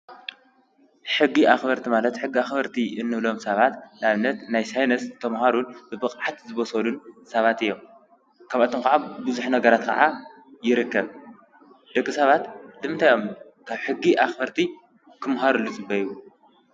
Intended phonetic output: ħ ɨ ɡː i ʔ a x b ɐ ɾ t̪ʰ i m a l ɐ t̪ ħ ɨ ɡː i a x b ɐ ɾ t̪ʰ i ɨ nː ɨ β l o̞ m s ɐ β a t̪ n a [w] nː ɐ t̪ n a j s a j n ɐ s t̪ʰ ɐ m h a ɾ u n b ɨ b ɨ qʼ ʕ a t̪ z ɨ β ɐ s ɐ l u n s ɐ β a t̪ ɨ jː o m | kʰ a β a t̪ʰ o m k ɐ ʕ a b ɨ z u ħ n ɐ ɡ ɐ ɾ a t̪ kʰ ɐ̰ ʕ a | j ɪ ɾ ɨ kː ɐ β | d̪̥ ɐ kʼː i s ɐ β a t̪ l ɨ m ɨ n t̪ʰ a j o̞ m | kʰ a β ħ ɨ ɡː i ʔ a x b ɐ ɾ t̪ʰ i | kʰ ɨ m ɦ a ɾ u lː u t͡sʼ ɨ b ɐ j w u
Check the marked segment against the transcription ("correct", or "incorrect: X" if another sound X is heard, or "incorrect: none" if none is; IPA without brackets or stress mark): incorrect: β